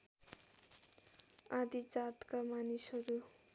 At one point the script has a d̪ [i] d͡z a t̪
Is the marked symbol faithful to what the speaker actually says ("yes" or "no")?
yes